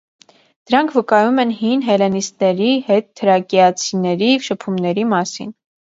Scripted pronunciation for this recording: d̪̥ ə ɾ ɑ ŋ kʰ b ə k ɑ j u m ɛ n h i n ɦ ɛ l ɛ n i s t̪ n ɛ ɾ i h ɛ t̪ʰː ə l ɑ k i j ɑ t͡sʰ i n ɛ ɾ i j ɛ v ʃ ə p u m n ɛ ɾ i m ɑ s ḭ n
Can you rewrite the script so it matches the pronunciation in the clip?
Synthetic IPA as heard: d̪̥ ə ɾ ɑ ŋ kʰ v ə k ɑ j u m ɛ n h i n ɦ ɛ l ɛ n i s t̪ n ɛ ɾ i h ɛ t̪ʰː ə ɾ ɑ k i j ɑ t͡sʰ i n ɛ ɾ i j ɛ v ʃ ə pʰ u m n ɛ ɾ i m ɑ s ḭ n

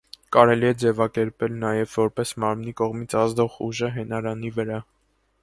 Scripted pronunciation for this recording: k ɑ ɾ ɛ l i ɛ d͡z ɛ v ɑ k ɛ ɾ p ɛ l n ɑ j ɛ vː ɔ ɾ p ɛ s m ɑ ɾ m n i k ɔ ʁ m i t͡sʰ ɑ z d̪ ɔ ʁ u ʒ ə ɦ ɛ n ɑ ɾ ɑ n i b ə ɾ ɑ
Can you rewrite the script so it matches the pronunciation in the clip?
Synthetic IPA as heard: k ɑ ɾ ɛ l i ɛ d͡z ɛ v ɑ k ɛ ɾ p ɛ l n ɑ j ɛ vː ɔ ɾ p ɛ s m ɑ ɾ m n i k ɔ ʁ m i t͡sʰ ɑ z d̪ ɔ ʁ u ʒ ə ɦ ɛ n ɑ ɾ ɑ n i v ə ɾ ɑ

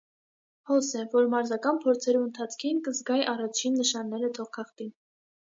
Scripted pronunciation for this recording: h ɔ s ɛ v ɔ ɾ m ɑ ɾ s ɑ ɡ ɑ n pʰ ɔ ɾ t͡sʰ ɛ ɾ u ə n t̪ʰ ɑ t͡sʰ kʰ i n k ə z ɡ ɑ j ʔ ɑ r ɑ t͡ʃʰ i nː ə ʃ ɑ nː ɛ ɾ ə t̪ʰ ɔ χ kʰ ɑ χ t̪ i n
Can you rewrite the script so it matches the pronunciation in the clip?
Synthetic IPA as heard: h ɔ s ɛ v ɔ ɾ m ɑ ɾ z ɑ k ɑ n pʰ ɔ ɾ t͡sʰ ɛ ɾ u ə n t̪ʰ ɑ t͡sʰ kʰ i n k ə z ɡ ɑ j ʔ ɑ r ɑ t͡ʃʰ i nː ə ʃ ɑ nː ɛ ɾ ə t̪ʰ ɔ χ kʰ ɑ χ t̪ i n

